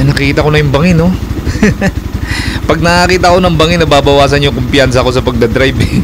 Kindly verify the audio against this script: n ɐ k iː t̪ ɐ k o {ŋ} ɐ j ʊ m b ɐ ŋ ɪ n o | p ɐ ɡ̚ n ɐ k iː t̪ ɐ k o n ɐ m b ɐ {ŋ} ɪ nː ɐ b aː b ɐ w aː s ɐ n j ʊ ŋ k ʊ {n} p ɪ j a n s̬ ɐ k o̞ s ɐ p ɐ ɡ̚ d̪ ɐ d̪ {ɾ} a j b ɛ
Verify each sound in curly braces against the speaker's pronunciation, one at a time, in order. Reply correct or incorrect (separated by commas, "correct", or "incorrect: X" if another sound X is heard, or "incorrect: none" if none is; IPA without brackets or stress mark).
incorrect: n, correct, incorrect: m, correct